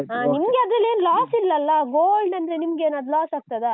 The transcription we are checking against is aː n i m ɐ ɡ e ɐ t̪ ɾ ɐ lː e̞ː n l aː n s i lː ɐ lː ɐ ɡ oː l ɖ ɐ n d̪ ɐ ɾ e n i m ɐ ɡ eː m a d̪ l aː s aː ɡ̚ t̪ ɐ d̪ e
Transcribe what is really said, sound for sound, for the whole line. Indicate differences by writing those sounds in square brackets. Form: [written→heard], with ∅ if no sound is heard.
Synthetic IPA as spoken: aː n i m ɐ ɡ e ɐ [t̪→d̪] ɾ ɐ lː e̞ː n l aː [n→∅] s i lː ɐ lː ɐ ɡ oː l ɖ ɐ n d̪ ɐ ɾ e n i m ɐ ɡ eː [m→n] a d̪ l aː s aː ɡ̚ t̪ ɐ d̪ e